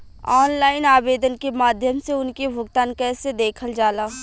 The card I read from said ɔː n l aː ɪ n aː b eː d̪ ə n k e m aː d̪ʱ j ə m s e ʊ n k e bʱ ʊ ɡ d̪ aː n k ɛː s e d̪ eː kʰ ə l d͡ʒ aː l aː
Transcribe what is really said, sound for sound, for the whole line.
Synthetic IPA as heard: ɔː n l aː ɪ n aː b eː d̪ ə n k e m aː d̪ʱ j ə m s e ʊ n k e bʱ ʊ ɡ t̪ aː n k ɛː s e d̪ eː kʰ ə l d͡ʒ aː l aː